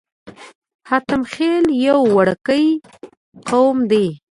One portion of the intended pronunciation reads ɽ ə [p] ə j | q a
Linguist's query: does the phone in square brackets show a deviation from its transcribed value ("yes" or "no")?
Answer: yes